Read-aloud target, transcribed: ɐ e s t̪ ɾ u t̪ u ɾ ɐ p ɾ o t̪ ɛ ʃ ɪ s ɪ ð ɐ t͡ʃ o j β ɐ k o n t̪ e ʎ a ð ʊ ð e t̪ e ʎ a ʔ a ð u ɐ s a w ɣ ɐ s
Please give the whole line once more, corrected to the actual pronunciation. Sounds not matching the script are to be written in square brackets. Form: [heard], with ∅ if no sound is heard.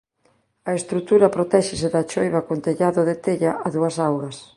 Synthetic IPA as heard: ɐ e s t̪ ɾ u t̪ u ɾ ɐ p ɾ o t̪ ɛ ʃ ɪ s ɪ ð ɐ t͡ʃ o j β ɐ k o n t̪ e ʎ a ð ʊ ð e t̪ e ʎ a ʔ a ð u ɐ s a w ɣ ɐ s

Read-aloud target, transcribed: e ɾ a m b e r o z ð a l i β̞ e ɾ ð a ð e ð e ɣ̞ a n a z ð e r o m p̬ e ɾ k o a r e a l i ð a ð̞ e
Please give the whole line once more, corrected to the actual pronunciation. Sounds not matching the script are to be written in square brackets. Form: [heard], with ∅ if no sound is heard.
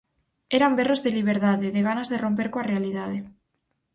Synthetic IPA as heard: e ɾ a m b e r o z ð [e] l i β̞ e ɾ ð a ð e ð e ɣ̞ a n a z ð e r o m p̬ e ɾ k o a r e a l i ð a ð̞ e

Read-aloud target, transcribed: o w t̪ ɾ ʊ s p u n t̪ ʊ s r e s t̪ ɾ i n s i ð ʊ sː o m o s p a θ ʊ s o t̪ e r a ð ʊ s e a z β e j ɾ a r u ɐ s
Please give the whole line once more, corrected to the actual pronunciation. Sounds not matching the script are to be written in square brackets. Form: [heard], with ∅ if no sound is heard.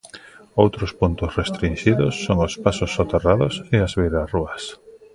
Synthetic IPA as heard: o w t̪ ɾ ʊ s p u n t̪ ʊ s r e s t̪ ɾ i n [ʃ] i ð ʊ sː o [ŋ] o s p a [s] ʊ s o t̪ e r a ð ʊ s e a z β e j ɾ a r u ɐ s

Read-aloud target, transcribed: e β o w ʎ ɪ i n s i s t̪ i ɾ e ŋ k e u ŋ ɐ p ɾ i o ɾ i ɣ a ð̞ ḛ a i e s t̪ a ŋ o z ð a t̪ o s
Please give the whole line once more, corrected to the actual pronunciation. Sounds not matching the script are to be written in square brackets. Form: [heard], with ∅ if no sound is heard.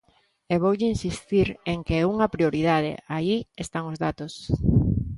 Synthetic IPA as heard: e β o w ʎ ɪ i n s i s t̪ i ɾ e ŋ k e u ŋ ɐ p ɾ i o ɾ i [ð] a ð̞ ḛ a i e s t̪ a ŋ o z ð a t̪ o s

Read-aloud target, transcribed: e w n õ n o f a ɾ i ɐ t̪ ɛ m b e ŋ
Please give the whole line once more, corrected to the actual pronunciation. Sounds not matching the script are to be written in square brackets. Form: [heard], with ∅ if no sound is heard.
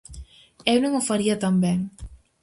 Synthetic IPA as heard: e w n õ [ŋ] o f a ɾ i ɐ t̪ [a] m b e ŋ

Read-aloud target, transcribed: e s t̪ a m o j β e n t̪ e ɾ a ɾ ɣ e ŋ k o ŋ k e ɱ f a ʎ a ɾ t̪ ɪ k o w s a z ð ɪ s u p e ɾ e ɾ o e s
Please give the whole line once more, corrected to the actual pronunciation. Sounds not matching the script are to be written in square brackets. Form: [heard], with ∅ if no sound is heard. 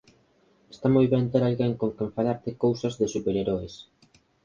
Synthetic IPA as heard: e s t̪ a m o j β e n t̪ e ɾ a [l] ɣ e ŋ k o ŋ k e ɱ f a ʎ a ɾ t̪ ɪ k o w s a z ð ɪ s u p e ɾ e ɾ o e s

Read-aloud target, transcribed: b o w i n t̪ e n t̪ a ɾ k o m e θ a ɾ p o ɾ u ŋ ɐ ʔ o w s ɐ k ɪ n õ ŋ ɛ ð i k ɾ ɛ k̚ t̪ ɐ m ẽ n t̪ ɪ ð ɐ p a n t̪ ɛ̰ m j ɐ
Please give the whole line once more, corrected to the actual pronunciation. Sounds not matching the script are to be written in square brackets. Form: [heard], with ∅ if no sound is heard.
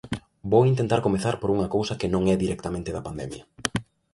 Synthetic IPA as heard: b o w i n t̪ e n t̪ a ɾ k o m e θ a ɾ p o ɾ u ŋ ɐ [k] o w s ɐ k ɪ n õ ŋ ɛ ð i [∅] ɾ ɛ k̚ t̪ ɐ m ẽ n t̪ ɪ ð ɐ p a n [d̪] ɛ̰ m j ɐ

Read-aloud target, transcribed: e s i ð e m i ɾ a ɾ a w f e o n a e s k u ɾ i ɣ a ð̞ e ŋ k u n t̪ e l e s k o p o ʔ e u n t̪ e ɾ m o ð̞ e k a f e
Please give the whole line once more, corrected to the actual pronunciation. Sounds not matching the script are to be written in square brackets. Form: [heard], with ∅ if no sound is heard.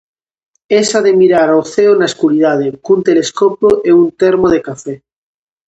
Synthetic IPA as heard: e s [a] ð e m i ɾ a ɾ a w [θ] e o n a e s k u ɾ i [ð] a ð̞ e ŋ k u n t̪ e l e s k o p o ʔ e u n t̪ e ɾ m o ð̞ e k a f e

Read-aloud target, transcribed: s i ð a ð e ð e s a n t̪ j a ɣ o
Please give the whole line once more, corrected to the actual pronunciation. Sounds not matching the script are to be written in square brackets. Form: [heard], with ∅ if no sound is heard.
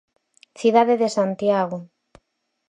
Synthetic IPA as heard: [θ] i ð a ð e ð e s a n t̪ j a ɣ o

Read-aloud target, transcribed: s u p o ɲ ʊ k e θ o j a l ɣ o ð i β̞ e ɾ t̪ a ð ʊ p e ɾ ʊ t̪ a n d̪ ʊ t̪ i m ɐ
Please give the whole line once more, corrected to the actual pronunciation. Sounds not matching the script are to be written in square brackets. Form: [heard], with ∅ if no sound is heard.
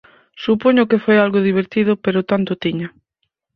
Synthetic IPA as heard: s u p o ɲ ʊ k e [f] o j a l ɣ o ð i β̞ e ɾ t̪ [i] ð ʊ p e ɾ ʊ t̪ a n [t̪] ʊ t̪ i [ɲ] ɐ

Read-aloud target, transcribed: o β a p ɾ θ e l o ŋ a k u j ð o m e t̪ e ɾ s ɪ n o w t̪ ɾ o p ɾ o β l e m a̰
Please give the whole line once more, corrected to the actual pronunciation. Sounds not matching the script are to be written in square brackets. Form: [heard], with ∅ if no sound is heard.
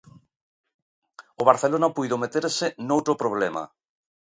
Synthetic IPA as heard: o β a [∅] ɾ θ e l o [n] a [p] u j ð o m e t̪ e ɾ s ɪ n o w t̪ ɾ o p ɾ o β l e m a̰

